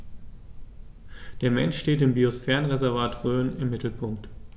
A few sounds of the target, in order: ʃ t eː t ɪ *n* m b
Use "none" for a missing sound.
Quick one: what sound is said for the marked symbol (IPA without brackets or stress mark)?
none